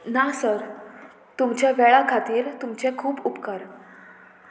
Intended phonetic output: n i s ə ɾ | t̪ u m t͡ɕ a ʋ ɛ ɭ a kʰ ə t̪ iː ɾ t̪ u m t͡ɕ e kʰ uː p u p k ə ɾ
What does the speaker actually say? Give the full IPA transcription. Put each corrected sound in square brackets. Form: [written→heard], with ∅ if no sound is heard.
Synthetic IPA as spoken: n [i→a] s ə ɾ | t̪ u m t͡ɕ a ʋ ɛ ɭ a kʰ [ə→a] t̪ iː ɾ t̪ u m t͡ɕ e kʰ uː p u p k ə ɾ